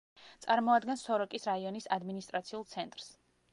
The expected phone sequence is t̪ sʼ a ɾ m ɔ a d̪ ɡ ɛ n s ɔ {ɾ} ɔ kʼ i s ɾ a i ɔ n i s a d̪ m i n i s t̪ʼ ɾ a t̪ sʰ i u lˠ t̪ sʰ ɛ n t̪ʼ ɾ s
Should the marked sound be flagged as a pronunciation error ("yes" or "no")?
no